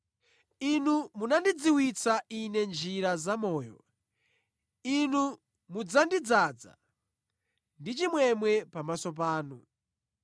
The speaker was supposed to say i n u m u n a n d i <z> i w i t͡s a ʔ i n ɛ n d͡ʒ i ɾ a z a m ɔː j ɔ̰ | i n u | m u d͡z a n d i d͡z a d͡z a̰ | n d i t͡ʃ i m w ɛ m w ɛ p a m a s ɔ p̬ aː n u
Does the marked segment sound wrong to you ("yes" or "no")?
yes